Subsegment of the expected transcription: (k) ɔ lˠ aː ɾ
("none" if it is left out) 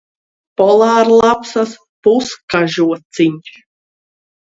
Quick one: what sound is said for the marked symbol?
p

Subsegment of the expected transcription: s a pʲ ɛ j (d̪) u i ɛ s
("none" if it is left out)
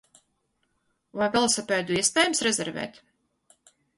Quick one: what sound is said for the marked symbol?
d̪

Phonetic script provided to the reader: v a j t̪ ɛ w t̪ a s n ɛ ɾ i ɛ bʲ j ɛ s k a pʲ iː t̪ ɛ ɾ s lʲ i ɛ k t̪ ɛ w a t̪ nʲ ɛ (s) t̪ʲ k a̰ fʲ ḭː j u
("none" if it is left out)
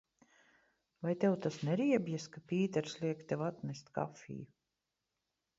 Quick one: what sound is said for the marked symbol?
s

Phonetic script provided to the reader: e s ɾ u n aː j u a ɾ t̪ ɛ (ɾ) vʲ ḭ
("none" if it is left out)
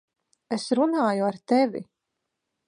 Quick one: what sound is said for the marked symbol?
none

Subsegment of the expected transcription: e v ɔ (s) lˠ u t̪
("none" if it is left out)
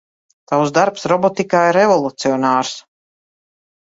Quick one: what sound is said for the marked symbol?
none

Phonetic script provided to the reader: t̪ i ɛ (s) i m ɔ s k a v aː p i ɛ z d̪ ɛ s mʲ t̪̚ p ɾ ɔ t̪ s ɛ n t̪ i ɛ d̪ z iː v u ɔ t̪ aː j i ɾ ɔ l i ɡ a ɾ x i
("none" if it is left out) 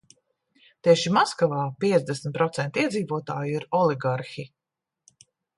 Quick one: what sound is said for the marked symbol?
ʃ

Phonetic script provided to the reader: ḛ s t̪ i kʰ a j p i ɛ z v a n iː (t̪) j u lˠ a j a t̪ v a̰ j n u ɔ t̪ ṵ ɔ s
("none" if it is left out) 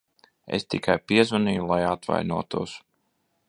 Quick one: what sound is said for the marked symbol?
none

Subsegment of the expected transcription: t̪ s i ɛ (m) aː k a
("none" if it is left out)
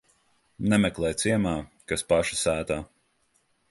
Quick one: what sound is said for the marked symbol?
m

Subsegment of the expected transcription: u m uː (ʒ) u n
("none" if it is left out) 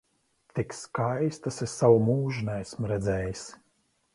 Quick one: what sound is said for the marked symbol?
ʒ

